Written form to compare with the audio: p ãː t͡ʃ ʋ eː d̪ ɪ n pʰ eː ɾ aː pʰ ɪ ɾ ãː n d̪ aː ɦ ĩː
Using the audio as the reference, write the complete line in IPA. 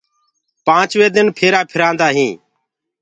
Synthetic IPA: p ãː t͡ʃ ʋ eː d̪ ɪ n pʰ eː ɾ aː pʰ ɪ ɾ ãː n d̪ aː ɦ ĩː

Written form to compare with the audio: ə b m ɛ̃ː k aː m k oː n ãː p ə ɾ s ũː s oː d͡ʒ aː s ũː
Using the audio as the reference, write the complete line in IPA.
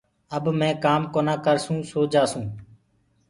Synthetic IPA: ə b m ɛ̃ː k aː m k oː n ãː k ə ɾ s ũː s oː d͡ʒ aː s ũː

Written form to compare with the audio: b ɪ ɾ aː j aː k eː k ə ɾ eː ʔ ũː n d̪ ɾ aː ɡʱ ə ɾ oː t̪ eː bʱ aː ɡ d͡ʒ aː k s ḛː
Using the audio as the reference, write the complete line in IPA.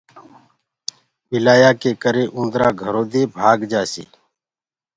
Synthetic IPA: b ɪ l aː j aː k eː k ə ɾ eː ʔ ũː n d̪ ɾ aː ɡʱ ə ɾ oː d̪ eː bʱ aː ɡ d͡ʒ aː s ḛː

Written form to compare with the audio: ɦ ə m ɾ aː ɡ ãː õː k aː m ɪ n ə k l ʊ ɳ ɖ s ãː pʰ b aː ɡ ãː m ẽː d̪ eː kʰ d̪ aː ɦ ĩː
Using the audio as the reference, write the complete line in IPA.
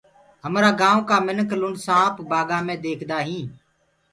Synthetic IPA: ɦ ə m ɾ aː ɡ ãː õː k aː m ɪ n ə k l ʊ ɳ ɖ s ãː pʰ b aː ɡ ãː m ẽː d̪ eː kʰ d̪ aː ɦ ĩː

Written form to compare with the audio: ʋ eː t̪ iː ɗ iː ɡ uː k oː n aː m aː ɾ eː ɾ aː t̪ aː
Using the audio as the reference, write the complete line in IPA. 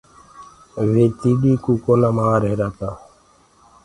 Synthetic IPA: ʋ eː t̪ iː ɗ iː k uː k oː n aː m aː ɾ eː ɾ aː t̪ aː

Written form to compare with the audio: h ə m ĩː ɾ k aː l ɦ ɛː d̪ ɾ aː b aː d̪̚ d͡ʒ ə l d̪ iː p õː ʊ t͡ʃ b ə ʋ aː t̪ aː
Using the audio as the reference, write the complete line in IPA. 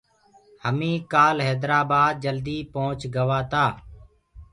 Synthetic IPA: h ə m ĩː k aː l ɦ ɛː d̪ ɾ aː b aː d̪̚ d͡ʒ ə l d̪ iː p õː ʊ t͡ʃ ɡ ə ʋ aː t̪ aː

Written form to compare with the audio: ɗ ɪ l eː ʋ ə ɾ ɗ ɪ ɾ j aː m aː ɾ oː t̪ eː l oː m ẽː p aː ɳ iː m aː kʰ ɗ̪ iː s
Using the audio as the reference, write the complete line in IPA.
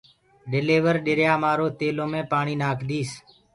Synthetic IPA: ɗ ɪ l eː ʋ ə ɾ ɗ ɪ ɾ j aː m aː ɾ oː t̪ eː l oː m ẽː p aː ɳ iː n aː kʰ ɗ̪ iː s

